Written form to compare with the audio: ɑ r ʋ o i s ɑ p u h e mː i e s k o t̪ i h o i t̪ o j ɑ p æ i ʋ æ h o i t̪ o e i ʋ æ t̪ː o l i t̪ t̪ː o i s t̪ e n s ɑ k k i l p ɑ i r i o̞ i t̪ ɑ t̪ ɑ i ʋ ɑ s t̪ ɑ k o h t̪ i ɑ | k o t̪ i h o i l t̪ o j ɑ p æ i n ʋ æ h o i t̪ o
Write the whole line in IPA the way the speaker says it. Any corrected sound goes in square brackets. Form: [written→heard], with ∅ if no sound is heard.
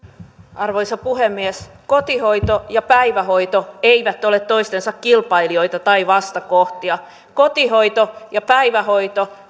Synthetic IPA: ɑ r ʋ o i s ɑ p u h e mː i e s k o t̪ i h o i t̪ o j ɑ p æ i ʋ æ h o i t̪ o e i ʋ æ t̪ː o l [i→e] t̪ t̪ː o i s t̪ e n s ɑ k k i l p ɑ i [r→l] i o̞ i t̪ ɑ t̪ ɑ i ʋ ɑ s t̪ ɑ k o h t̪ i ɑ | k o t̪ i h o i [l→∅] t̪ o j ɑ p æ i [n→∅] ʋ æ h o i t̪ o